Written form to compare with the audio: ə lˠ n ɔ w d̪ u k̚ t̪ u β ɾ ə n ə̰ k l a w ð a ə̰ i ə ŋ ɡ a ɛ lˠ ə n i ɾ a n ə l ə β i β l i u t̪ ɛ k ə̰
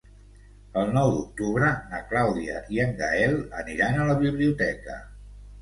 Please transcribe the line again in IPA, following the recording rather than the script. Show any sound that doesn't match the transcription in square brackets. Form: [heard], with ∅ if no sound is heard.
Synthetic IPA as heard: ə lˠ n ɔ w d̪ u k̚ t̪ u β ɾ ə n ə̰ k l a w ð [i] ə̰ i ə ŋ ɡ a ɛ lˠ ə n i ɾ a n ə l ə β i β l i u t̪ ɛ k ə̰